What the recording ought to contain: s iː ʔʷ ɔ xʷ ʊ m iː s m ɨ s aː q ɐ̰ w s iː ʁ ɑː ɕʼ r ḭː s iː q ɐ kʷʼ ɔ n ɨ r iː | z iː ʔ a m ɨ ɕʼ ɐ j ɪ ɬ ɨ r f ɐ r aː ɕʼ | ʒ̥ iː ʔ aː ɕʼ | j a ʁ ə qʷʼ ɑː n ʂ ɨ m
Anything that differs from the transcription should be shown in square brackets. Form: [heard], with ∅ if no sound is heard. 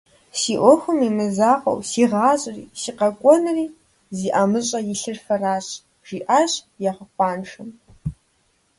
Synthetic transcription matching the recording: s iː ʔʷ ɔ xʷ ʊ m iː [∅] m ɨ [z] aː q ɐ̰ w s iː ʁ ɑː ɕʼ r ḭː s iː q ɐ kʷʼ ɔ n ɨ r iː | z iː ʔ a m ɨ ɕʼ ɐ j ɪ ɬ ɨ r f ɐ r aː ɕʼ | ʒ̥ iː ʔ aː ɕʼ | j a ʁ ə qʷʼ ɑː n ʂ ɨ m